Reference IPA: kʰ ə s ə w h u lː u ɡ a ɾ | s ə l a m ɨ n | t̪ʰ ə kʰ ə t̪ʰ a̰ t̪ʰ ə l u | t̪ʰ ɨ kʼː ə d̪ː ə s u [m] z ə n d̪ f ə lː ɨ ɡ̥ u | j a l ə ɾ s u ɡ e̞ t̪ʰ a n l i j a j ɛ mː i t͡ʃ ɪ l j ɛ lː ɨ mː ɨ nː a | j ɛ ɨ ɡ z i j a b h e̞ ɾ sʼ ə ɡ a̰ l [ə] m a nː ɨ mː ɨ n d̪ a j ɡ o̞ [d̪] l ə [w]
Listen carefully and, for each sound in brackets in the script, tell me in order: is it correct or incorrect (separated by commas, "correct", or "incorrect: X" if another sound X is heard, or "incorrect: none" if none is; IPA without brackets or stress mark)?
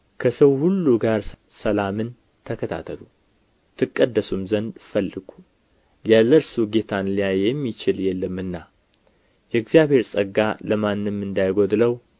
correct, correct, correct, correct